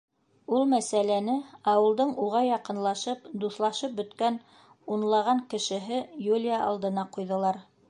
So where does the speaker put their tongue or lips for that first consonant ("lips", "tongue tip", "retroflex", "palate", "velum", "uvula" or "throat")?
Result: tongue tip